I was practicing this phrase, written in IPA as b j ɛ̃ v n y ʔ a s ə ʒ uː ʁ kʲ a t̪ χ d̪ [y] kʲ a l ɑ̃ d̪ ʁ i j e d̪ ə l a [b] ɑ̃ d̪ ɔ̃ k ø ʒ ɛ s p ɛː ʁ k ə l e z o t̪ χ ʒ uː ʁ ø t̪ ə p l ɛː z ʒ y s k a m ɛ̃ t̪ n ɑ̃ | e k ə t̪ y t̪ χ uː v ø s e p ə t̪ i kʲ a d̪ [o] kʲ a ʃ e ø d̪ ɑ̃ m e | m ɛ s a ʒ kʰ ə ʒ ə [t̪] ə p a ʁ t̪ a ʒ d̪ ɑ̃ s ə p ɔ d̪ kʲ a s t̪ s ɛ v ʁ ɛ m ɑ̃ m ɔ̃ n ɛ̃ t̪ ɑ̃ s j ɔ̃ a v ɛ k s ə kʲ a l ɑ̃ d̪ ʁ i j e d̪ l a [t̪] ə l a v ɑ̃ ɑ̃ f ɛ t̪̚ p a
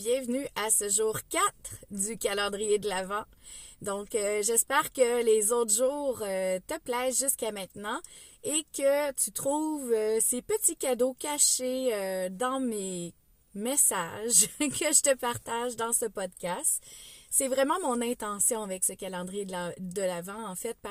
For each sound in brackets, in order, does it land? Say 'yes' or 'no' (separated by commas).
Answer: yes, no, yes, yes, no